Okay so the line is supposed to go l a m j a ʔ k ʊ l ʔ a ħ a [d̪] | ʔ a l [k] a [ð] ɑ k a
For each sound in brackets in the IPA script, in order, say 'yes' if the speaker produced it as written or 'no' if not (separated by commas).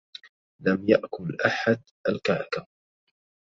yes, yes, no